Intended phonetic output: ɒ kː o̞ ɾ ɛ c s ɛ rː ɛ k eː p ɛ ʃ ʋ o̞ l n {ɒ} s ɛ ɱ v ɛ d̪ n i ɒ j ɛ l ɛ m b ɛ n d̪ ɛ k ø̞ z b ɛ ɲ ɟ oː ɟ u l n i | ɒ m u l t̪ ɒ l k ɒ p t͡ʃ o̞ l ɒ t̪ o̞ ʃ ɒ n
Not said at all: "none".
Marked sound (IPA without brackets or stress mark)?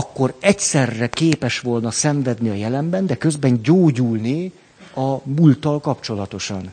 ɒ